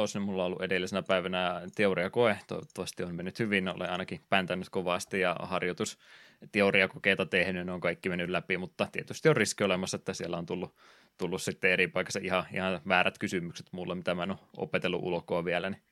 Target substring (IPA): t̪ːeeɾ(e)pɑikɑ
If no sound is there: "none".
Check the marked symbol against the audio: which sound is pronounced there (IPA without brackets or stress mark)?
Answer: i